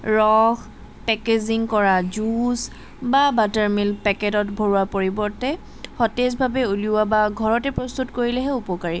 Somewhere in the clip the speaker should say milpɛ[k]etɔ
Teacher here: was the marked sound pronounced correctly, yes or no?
yes